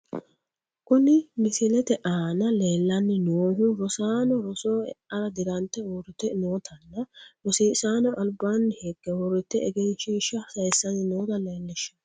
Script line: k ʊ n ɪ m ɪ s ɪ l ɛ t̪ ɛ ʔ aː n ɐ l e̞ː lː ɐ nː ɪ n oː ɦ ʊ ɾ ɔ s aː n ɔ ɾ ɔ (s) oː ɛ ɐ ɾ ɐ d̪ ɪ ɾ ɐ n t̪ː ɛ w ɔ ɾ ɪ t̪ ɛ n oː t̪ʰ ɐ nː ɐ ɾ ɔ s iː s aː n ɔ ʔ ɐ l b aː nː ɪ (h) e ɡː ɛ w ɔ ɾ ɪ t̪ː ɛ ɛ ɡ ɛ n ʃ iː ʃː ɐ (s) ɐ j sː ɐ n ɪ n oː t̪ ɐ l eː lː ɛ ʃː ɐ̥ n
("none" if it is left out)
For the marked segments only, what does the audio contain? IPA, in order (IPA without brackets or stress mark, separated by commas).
s, h, s